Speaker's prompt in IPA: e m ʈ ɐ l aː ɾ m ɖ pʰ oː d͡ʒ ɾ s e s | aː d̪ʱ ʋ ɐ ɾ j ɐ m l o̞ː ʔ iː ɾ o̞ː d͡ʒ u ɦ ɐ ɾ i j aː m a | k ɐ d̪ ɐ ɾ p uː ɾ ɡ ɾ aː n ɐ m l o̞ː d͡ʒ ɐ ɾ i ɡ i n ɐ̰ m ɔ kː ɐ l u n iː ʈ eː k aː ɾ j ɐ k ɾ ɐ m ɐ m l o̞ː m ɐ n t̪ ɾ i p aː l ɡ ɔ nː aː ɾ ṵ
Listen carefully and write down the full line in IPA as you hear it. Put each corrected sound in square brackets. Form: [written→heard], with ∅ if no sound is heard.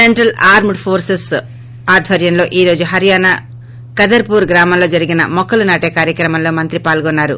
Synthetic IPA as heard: e [m→ɳ] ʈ ɐ l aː ɾ m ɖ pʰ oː [d͡ʒ→∅] ɾ s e s | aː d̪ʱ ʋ ɐ ɾ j ɐ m l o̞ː ʔ iː ɾ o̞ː d͡ʒ u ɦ ɐ ɾ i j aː [m→n] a | k ɐ d̪ ɐ ɾ p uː ɾ ɡ ɾ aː [n→m] ɐ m l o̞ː d͡ʒ ɐ ɾ i ɡ i n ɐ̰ m ɔ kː ɐ l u n [iː→aː] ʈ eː k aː ɾ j ɐ k ɾ ɐ m ɐ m l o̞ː m ɐ n t̪ ɾ i p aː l ɡ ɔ nː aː ɾ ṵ